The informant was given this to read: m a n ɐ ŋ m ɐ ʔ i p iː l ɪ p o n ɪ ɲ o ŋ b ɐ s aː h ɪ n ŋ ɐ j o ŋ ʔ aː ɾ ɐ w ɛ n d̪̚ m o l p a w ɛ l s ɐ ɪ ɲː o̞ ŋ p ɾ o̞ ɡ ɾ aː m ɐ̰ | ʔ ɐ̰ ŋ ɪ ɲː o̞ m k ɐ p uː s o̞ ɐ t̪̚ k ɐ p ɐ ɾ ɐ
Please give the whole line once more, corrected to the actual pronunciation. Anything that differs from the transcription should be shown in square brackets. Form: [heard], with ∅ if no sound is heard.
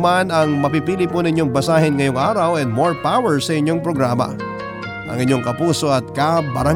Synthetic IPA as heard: m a n ɐ ŋ m ɐ [p] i p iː l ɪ p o n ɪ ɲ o ŋ b ɐ s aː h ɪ n ŋ ɐ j o ŋ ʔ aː ɾ ɐ w ɛ n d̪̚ m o [ɹ] p a w ɛ [ɹ] s ɐ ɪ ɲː o̞ ŋ p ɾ o̞ ɡ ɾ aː m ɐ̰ | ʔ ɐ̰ ŋ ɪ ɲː o̞ [ŋ] k ɐ p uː s o̞ ɐ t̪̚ k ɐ [b] ɐ ɾ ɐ